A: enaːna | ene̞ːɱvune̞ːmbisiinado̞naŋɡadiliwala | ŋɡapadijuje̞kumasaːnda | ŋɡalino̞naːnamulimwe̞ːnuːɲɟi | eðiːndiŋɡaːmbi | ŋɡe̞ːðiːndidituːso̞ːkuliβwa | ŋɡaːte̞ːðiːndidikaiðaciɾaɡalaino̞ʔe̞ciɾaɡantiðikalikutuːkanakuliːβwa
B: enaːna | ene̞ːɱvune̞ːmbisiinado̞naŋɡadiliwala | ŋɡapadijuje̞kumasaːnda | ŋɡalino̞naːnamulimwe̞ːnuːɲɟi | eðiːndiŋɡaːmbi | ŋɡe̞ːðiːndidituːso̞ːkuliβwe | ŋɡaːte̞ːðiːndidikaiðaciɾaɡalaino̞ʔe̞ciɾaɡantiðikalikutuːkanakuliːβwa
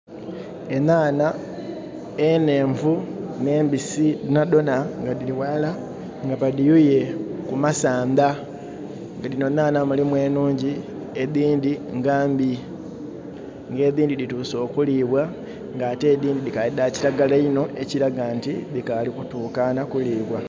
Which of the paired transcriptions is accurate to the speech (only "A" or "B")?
A